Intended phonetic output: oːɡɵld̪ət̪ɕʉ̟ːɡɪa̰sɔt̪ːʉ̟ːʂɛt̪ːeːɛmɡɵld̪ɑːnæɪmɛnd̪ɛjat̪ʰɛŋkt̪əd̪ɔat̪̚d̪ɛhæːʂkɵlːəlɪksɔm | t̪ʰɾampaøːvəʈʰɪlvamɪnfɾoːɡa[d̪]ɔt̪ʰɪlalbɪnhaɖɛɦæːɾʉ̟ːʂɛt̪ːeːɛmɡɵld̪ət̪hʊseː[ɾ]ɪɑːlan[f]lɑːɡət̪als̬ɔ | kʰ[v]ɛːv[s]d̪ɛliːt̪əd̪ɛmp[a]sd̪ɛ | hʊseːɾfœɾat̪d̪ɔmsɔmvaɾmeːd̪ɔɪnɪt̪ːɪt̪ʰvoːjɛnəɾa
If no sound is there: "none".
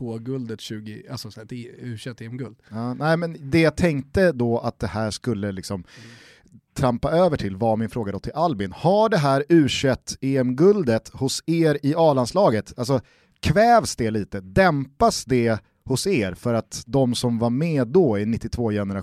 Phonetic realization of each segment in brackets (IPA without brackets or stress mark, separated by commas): d̪, ɾ, s, v, s, a